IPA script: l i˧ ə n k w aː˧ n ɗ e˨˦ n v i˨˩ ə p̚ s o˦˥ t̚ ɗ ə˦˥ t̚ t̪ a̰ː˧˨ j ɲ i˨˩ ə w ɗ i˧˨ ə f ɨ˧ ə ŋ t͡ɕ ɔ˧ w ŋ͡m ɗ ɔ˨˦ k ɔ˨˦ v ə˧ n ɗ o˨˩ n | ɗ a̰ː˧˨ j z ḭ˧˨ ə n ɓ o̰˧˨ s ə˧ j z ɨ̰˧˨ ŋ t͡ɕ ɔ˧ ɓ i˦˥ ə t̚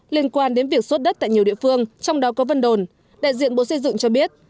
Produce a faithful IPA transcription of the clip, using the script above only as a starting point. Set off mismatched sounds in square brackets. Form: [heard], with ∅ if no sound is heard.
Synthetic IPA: l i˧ ə n k w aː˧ n ɗ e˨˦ n v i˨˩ ə [k̚] s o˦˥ t̚ ɗ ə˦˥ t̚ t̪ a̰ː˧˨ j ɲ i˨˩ ə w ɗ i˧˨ ə f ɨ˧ ə ŋ t͡ɕ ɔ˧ w ŋ͡m ɗ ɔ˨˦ k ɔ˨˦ v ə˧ n ɗ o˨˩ n | ɗ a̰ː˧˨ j z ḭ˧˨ ə n ɓ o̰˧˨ s ə˧ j z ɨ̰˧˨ ŋ t͡ɕ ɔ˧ ɓ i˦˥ ə t̚